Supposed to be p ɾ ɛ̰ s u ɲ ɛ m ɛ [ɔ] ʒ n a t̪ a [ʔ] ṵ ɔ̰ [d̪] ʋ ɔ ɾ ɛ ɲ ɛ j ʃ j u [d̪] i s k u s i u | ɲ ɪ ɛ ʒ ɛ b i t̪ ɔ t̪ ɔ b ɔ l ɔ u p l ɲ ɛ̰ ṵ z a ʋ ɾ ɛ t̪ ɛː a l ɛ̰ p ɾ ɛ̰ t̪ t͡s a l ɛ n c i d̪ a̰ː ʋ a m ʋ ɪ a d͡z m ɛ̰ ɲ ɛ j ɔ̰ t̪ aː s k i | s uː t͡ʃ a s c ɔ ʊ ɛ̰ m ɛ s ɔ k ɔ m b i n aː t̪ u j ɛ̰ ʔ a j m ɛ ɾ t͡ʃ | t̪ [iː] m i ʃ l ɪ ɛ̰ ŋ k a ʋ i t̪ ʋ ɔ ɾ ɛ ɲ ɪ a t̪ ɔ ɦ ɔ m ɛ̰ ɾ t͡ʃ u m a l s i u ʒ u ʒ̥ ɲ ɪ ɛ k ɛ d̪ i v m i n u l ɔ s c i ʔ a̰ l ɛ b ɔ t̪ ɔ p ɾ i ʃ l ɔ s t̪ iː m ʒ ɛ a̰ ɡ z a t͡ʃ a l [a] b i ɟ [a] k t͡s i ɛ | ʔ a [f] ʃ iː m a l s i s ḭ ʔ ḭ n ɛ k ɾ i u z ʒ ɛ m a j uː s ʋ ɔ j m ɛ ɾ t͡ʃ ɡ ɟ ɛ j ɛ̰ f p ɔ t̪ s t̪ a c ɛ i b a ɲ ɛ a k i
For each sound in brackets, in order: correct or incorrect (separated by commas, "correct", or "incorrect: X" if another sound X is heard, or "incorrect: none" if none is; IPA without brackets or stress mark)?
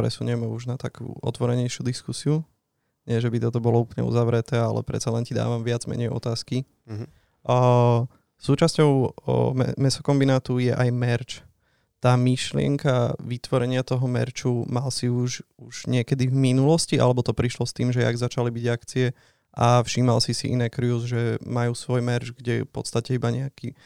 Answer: incorrect: u, incorrect: k, incorrect: t̪, correct, incorrect: aː, incorrect: i, correct, correct